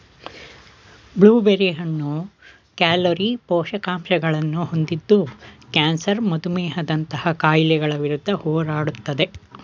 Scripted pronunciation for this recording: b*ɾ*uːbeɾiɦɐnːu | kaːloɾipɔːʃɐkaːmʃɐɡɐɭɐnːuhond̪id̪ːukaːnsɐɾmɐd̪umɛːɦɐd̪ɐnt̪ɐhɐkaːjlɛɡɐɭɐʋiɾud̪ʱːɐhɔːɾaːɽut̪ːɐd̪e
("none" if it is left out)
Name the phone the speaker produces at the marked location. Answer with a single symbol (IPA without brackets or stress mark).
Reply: ɭ